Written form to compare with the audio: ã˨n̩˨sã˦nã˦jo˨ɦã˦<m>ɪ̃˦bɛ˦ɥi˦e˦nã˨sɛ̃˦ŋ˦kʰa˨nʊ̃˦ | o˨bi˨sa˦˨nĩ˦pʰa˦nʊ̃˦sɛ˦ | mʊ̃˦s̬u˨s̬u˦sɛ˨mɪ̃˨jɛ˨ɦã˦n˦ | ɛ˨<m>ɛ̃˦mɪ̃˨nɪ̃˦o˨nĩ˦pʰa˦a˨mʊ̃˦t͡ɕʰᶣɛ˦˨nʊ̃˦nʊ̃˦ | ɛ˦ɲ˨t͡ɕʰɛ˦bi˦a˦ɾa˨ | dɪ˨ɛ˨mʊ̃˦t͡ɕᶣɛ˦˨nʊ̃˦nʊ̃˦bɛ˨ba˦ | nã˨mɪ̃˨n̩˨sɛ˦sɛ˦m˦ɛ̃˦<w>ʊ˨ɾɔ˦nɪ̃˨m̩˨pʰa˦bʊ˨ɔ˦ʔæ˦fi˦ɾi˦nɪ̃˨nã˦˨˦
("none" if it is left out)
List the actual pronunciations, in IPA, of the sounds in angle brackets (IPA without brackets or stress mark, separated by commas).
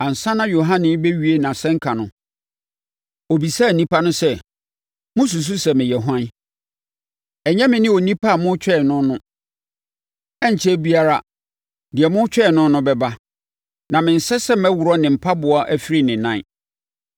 n, ɲ, w